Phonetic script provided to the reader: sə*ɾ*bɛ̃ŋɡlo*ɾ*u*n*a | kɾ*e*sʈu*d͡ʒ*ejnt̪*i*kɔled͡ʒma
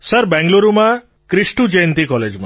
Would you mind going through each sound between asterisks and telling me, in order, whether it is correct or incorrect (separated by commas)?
correct, correct, incorrect, incorrect, correct, correct